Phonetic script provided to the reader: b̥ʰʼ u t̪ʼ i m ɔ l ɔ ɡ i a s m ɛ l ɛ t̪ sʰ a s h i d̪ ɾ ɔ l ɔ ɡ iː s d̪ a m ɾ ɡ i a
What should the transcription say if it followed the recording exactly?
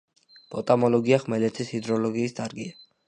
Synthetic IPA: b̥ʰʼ ɔ t̪ʼ a m ɔ l ɔ ɡ i a χ m ɛ l ɛ t̪ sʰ i s h i d̪ ɾ ɔ l ɔ ɡ iː s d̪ a ɾ ɡ i a